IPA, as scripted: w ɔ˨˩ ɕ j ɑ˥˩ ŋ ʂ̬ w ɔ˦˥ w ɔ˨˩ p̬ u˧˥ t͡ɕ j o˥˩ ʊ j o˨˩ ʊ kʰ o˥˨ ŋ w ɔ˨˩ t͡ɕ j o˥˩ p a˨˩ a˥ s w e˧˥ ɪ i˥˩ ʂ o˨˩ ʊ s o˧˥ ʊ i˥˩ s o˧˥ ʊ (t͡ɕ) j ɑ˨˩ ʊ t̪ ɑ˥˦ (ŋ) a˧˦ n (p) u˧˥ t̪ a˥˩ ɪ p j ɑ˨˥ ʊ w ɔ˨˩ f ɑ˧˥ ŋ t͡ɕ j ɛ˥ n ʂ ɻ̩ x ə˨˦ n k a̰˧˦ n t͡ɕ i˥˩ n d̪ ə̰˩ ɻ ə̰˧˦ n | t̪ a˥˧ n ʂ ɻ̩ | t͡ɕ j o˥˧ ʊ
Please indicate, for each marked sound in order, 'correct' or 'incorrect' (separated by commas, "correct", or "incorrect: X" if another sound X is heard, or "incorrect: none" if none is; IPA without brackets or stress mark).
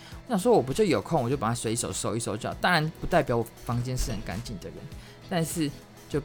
correct, correct, correct